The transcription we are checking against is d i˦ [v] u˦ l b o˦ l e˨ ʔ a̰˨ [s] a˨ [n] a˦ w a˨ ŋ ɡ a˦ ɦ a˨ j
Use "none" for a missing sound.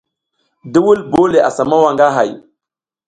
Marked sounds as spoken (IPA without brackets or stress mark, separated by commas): w, s, m